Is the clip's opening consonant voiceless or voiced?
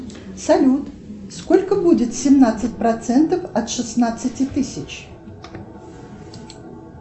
voiceless